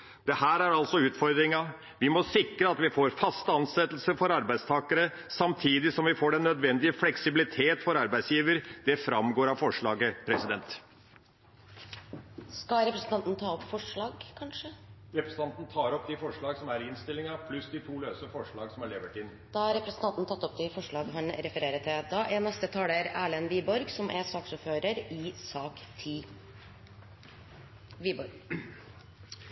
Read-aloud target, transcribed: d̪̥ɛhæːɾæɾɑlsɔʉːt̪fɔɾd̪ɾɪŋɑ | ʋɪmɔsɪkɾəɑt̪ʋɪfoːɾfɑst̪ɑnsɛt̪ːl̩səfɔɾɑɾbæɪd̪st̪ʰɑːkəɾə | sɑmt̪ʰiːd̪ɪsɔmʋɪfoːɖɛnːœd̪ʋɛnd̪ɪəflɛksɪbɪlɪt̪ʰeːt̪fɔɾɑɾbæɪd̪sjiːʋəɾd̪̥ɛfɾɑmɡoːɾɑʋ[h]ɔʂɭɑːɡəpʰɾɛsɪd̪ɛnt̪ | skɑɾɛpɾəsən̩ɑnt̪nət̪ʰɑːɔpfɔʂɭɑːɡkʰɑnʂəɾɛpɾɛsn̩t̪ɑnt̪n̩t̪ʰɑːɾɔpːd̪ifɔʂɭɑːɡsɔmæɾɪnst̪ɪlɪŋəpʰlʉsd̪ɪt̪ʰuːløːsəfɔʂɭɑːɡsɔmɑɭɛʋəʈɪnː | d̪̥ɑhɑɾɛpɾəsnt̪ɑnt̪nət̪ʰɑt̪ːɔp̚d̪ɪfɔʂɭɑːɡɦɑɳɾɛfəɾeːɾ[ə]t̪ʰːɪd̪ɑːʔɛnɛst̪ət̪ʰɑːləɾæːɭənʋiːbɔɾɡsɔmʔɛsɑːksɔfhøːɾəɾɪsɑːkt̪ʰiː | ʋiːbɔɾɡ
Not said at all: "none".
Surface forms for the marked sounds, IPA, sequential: f, ə

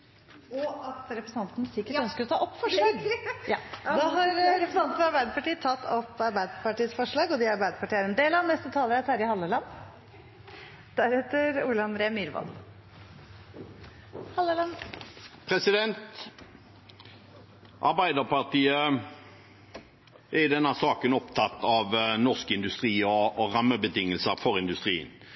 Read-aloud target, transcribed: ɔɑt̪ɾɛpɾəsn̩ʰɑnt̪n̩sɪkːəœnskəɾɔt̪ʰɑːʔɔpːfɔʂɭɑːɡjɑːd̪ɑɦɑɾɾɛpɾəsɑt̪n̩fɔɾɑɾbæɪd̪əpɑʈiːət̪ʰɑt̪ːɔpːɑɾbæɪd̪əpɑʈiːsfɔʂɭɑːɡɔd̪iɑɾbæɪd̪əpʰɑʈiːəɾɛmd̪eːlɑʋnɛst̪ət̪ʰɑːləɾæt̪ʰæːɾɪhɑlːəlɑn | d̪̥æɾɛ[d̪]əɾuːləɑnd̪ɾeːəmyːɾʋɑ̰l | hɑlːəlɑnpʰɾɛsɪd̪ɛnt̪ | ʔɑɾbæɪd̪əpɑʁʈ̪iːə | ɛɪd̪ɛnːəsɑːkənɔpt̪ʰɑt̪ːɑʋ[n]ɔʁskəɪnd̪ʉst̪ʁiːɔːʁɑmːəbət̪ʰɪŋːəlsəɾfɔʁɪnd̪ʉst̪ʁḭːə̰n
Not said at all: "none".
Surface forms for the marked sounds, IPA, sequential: t̪, n

